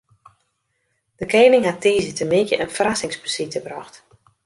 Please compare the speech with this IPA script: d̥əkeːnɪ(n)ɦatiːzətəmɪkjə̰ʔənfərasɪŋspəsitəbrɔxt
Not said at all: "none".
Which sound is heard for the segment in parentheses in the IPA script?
ŋ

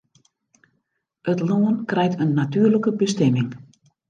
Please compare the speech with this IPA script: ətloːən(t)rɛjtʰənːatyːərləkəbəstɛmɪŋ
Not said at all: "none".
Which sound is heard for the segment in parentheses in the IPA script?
k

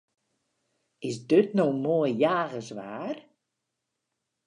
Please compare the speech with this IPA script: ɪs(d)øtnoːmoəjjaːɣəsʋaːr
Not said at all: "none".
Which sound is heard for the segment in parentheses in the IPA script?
d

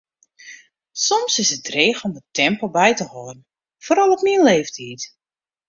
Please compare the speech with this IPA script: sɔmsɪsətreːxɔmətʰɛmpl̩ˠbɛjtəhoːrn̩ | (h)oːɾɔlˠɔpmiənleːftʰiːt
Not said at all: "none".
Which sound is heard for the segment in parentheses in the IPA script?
f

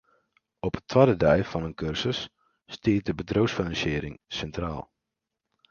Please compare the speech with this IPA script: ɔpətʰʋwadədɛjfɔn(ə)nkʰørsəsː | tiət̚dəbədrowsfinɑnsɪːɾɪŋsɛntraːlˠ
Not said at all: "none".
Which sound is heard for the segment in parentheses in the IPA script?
ə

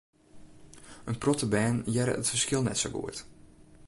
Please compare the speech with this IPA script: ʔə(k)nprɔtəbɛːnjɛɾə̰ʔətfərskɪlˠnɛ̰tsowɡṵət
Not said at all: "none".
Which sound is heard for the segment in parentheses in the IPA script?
none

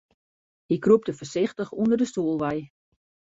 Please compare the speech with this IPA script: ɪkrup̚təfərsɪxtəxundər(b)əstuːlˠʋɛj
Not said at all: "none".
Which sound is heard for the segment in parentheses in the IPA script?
d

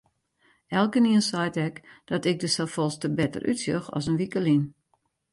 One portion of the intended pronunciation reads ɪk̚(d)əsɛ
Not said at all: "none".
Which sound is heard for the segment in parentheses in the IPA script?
d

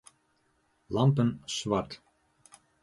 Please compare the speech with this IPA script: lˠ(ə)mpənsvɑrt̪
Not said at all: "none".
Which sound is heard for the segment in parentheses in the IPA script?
ɑ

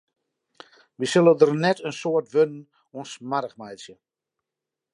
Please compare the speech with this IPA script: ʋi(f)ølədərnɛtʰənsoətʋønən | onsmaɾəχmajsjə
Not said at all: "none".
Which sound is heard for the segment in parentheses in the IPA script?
s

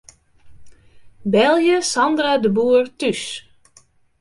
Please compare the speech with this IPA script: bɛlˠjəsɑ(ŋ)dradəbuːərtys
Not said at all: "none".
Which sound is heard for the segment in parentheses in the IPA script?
n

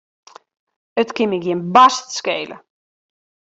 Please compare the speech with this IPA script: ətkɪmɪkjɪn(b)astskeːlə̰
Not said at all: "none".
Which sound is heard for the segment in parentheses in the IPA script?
b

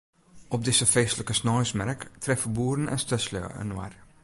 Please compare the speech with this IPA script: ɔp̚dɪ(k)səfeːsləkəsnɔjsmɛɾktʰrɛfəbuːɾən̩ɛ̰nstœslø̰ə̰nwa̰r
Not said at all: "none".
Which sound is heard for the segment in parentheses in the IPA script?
none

